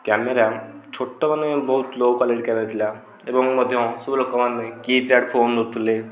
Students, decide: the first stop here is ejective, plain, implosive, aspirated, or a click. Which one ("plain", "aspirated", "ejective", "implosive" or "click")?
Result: plain